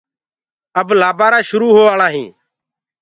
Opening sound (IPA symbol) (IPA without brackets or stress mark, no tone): ə